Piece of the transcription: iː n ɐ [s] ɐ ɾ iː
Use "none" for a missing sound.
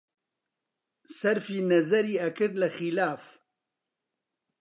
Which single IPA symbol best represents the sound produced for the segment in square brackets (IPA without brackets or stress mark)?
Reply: z